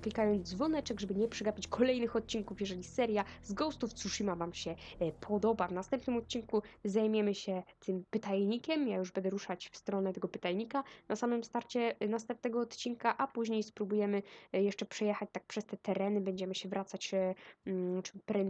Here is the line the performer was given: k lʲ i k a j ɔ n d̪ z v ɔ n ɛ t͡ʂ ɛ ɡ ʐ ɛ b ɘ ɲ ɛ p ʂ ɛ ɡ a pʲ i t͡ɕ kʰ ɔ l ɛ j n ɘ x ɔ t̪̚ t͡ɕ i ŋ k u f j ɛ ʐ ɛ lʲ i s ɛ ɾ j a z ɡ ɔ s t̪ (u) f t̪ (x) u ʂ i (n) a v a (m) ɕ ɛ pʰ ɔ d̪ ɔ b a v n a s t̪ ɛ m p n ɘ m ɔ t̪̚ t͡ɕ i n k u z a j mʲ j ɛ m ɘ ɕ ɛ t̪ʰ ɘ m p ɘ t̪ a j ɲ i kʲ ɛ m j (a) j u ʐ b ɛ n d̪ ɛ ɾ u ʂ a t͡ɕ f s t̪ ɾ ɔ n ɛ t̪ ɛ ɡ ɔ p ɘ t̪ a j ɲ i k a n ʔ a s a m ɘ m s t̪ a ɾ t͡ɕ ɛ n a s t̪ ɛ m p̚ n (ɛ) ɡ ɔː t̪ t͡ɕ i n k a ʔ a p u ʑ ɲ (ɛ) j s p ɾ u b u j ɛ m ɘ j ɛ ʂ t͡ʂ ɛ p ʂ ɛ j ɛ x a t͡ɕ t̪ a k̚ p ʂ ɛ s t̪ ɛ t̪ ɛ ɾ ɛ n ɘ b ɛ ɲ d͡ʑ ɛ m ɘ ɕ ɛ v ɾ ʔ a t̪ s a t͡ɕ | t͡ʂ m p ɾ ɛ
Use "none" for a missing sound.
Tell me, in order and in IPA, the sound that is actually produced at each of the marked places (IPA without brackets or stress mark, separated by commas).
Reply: u, s, m, m, a, ɛ, e